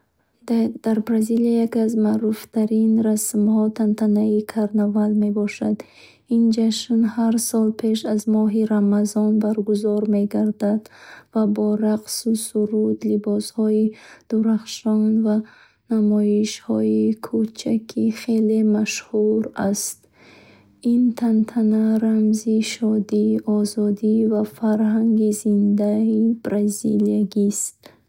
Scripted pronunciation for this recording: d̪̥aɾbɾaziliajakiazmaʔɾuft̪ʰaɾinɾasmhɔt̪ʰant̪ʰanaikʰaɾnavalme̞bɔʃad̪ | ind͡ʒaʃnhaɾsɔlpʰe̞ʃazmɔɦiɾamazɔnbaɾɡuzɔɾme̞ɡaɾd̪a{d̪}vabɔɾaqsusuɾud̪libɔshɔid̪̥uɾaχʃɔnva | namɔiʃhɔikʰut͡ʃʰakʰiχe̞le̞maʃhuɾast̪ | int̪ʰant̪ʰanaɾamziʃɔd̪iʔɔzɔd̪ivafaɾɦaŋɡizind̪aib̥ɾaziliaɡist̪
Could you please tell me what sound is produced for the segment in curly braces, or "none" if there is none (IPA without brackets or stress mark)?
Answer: d̪